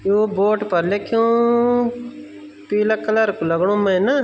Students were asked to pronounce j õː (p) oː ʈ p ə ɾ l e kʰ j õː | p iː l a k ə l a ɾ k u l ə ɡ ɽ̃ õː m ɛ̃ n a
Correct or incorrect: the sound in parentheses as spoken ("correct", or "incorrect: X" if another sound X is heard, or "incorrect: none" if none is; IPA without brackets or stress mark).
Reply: incorrect: b